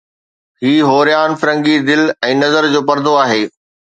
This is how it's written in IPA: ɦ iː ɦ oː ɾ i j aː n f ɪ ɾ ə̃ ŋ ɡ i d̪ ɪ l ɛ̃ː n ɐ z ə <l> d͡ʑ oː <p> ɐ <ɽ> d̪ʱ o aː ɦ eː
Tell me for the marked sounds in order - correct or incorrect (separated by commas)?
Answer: incorrect, correct, incorrect